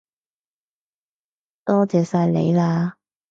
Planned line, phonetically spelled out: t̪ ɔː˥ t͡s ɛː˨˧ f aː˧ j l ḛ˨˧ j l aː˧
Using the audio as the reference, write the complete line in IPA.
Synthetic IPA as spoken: t̪ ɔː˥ t͡s ɛː˨˧ s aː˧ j l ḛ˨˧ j l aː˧